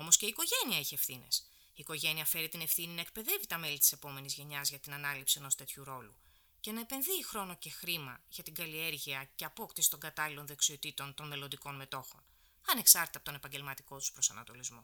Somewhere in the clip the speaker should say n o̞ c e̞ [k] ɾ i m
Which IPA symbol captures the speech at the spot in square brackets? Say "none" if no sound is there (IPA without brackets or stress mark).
x